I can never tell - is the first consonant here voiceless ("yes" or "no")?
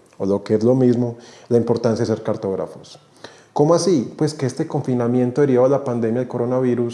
no